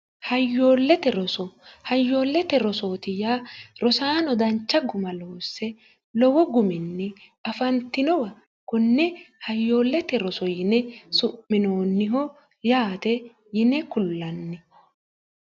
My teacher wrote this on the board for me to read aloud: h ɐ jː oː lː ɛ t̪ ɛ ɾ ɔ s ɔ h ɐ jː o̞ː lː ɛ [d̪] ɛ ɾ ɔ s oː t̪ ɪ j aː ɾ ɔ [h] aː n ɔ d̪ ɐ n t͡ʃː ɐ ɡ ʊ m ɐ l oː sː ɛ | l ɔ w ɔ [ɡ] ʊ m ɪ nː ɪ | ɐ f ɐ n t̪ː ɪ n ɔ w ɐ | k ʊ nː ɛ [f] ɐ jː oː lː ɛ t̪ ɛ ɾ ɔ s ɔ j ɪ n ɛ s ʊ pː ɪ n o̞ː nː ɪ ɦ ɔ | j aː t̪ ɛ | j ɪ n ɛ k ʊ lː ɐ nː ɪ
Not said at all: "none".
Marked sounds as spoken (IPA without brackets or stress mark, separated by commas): t̪, s, ɡ, h